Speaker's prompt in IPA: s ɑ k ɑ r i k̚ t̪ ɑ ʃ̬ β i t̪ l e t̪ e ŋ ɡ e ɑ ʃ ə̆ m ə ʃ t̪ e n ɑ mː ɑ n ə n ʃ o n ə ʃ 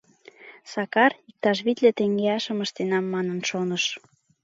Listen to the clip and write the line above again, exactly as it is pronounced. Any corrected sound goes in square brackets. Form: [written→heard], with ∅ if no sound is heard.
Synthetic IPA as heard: s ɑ k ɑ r i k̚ t̪ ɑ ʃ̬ β i t̪ l e t̪ e ŋ ɡ e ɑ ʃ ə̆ m ə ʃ t̪ e n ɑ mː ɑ n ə n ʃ o n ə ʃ